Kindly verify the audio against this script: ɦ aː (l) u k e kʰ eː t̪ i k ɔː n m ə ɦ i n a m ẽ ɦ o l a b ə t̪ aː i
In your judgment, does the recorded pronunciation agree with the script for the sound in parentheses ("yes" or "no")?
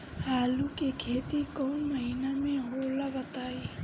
yes